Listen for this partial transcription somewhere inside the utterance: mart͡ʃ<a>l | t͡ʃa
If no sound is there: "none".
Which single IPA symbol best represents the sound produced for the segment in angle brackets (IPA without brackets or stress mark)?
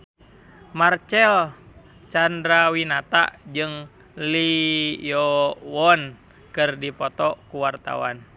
ɛ